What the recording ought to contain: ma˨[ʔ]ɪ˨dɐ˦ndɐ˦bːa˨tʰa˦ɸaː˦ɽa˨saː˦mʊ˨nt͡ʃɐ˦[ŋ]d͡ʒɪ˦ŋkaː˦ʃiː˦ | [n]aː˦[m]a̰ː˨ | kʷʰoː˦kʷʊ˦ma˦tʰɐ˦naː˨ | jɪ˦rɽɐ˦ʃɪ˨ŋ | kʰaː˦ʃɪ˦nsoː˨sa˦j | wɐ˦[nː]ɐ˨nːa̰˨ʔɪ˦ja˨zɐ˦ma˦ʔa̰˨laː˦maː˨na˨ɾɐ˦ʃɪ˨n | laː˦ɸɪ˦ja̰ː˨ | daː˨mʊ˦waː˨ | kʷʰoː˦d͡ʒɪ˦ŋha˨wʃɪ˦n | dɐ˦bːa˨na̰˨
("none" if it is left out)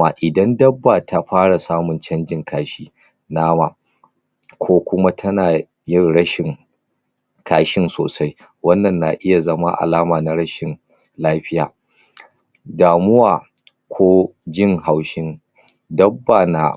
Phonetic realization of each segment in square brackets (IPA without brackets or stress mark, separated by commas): ʔ, n, n, m, nː